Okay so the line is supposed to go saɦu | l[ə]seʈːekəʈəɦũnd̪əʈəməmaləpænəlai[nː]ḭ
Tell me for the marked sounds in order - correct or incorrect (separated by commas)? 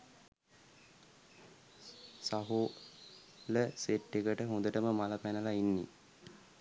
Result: correct, correct